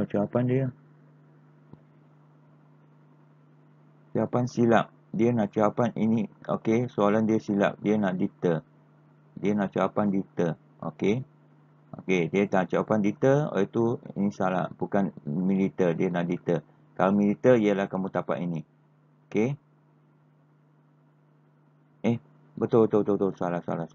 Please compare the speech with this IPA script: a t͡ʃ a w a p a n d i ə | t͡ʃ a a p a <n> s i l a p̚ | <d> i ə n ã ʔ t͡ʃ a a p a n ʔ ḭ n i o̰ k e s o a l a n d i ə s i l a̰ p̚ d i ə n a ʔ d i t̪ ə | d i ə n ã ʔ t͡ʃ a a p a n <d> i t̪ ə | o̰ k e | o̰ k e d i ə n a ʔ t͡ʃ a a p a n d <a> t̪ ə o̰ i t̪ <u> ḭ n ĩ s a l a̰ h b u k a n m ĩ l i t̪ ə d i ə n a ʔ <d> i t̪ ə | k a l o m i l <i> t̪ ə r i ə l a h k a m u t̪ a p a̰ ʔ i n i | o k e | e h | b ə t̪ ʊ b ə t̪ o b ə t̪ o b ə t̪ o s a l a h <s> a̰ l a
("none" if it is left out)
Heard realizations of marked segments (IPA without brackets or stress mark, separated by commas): n, d, d, i, u, d, i, s